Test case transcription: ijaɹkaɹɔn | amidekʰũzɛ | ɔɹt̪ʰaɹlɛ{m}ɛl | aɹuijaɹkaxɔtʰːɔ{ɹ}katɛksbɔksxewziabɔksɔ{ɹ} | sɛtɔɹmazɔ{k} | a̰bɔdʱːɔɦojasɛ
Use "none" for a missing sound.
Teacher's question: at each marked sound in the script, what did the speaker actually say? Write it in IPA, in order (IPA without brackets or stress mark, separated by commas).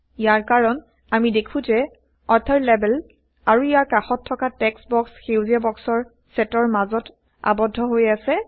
b, none, ɹ, t